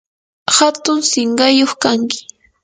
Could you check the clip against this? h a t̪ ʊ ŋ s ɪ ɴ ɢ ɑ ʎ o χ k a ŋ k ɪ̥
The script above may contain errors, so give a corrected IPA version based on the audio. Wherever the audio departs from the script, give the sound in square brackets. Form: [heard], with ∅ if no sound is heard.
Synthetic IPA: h a t̪ ʊ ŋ s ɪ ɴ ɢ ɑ [j] o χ k a ŋ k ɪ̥